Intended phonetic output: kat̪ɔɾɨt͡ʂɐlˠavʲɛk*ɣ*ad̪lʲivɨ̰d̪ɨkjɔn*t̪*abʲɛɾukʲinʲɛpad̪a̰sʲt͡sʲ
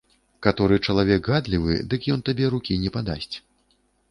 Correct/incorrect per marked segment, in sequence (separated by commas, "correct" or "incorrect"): correct, correct